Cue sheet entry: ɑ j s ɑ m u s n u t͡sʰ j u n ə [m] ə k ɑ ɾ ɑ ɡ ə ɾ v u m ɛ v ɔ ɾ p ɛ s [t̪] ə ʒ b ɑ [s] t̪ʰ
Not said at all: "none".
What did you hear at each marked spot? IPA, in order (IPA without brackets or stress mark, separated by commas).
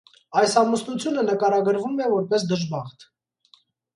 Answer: n, d̪, χ